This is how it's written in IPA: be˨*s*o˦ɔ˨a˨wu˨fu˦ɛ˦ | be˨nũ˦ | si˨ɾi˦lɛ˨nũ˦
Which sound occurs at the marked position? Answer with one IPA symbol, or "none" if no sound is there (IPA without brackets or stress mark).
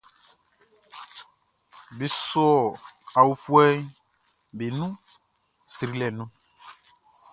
s